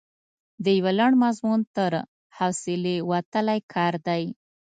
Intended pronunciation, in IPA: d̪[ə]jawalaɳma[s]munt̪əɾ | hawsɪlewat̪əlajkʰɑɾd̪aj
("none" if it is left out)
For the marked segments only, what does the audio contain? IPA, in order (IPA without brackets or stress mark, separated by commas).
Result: ə, z